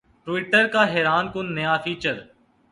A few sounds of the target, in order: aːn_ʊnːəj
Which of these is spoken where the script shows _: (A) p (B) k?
B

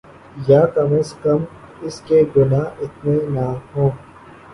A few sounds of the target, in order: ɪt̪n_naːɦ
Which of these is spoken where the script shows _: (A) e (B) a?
A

